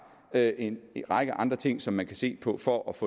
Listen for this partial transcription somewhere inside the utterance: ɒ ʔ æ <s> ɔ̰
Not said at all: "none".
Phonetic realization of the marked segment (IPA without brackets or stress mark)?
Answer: f